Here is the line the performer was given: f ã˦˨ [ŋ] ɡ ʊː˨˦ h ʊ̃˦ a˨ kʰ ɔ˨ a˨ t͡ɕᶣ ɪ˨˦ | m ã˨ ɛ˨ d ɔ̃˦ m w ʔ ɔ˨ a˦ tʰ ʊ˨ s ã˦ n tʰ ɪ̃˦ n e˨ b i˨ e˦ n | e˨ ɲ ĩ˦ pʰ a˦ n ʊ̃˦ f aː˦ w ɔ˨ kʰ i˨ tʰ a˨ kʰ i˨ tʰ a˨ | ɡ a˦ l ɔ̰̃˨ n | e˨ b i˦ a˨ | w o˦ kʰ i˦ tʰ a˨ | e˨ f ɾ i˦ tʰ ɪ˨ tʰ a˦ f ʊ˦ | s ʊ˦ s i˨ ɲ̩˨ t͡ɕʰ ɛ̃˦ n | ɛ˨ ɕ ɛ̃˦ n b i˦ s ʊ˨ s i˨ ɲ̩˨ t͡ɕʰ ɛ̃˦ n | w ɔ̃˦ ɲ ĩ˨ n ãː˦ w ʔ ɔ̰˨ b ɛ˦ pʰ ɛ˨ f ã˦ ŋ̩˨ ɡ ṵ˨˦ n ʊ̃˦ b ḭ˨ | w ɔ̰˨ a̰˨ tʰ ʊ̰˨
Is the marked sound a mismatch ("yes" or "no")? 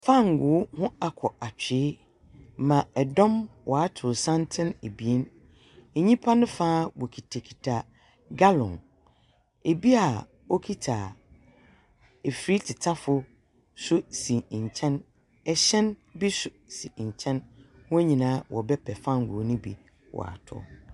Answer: no